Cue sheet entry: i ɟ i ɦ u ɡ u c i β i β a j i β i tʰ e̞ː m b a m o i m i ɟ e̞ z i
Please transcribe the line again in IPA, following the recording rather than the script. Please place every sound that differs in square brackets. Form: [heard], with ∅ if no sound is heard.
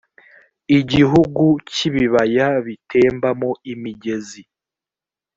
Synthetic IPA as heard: i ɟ i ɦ u ɡ u c i β i β a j [a] β i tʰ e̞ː m b a m o i m i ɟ e̞ z i